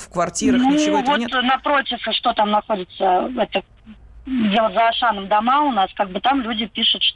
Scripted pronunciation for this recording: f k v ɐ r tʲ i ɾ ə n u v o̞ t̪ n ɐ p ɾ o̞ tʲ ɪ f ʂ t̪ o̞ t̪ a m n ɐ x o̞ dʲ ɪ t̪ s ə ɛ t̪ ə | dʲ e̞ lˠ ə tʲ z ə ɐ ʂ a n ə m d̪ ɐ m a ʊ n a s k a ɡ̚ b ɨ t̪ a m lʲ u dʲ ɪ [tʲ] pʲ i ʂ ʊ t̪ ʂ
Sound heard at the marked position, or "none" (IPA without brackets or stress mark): none